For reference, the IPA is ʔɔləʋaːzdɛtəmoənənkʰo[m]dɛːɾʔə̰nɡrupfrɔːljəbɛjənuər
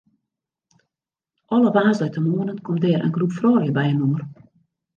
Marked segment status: correct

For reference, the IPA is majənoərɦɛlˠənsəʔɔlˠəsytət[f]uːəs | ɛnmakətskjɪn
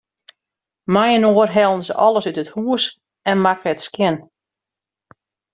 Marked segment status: incorrect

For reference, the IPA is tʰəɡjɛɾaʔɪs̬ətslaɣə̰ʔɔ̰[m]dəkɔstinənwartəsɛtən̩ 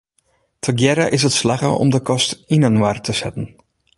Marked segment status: correct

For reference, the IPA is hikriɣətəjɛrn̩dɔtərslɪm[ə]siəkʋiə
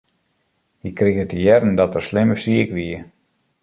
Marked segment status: correct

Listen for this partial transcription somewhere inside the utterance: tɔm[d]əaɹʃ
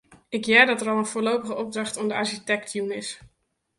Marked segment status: correct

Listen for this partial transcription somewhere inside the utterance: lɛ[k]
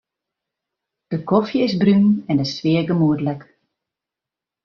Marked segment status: correct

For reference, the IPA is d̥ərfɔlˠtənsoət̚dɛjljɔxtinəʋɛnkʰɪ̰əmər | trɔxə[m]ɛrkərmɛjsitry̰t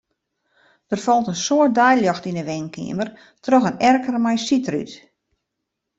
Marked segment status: incorrect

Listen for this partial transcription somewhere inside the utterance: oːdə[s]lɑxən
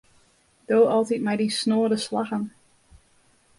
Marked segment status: correct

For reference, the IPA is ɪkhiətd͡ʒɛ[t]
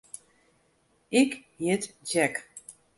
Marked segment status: incorrect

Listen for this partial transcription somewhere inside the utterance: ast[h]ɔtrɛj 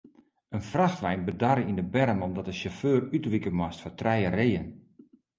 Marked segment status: incorrect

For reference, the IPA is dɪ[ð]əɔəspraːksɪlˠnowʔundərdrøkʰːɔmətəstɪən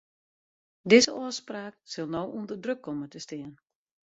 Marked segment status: incorrect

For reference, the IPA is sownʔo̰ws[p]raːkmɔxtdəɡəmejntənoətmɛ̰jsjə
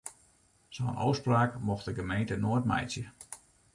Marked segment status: correct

